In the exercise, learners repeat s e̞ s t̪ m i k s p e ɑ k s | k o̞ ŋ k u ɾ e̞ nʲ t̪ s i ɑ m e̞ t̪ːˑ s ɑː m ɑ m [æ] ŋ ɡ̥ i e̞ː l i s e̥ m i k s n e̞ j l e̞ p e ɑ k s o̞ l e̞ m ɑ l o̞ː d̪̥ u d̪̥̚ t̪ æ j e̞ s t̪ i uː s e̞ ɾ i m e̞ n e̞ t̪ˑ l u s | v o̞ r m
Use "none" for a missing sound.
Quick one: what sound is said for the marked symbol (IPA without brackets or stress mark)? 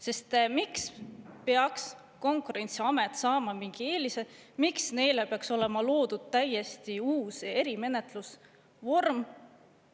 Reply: i